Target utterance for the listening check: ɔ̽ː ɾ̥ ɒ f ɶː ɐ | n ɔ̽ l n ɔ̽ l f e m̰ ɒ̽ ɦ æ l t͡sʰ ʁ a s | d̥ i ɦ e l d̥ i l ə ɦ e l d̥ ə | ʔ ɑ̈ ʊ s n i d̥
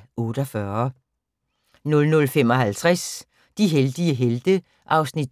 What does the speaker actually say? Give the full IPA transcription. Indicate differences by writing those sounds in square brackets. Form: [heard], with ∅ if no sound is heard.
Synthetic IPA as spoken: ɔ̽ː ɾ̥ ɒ f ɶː ɐ | n ɔ̽ l n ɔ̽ l f e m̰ ɒ̽ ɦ æ l t͡sʰ ʁ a s | d̥ i ɦ e l d̥ i [∅] ə ɦ e l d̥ ə | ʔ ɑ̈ ʊ s n i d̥